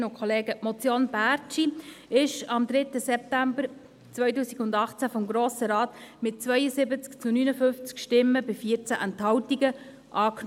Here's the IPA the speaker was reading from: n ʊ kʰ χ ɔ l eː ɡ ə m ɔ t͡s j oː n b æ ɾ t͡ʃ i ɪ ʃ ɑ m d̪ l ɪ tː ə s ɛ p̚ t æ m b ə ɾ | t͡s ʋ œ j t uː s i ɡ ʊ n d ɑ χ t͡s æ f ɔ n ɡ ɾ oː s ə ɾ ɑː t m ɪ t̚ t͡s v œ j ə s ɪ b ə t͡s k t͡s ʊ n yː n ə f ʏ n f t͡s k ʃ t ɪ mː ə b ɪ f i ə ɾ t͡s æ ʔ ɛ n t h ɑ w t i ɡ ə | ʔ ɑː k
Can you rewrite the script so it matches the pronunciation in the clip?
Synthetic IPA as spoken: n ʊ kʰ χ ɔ l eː ɡ ə m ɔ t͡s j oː n b æ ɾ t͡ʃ i ɪ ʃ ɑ m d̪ ɾ ɪ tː ə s ɛ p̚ t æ m b ə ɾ | t͡s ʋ œ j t uː s i ɡ ʊ n d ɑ χ t͡s æ f ɔ m ɡ ɾ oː s ə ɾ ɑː t m ɪ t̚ t͡s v œ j ə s ɪ b ə t͡s k t͡s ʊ n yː n ə f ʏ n f t͡s k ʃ t ɪ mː ə b ɪ f i ə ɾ t͡s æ ʔ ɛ n t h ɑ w t i ɡ ə | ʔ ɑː k